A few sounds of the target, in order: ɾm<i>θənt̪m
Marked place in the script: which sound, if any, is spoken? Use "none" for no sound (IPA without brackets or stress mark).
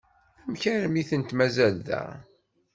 i